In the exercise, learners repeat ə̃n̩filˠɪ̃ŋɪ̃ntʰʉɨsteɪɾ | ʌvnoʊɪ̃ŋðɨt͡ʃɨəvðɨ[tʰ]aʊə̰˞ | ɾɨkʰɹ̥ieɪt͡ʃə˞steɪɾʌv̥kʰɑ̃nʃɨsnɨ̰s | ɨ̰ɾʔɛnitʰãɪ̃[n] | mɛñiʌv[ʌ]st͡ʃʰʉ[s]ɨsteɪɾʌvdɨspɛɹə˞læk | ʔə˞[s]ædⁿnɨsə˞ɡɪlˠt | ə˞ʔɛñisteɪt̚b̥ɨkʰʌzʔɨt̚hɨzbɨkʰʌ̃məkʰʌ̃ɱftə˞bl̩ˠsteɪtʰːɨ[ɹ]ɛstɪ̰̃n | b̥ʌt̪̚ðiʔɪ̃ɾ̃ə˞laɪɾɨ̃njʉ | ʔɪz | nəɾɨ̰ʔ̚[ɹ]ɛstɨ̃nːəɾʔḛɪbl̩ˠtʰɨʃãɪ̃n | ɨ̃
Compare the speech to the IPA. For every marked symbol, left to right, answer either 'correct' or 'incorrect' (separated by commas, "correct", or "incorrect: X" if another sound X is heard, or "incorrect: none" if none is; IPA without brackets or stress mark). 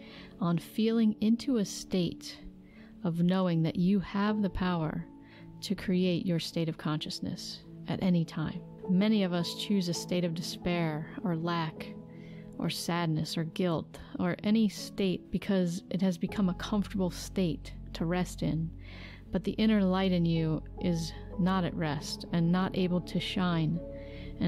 incorrect: pʰ, incorrect: m, correct, incorrect: z, correct, correct, correct